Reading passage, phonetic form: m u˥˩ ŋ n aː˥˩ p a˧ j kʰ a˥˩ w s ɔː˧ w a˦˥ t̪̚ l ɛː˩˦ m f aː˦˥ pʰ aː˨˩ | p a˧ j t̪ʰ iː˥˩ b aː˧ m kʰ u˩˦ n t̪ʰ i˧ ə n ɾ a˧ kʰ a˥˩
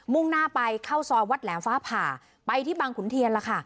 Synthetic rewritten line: m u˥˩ ŋ n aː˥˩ p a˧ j kʰ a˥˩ w s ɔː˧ w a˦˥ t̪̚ l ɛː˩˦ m f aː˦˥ pʰ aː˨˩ | p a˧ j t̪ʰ iː˥˩ b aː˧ ŋ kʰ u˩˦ n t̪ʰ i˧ ə n l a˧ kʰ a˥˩